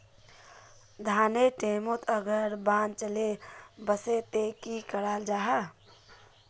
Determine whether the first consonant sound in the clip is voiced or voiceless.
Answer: voiced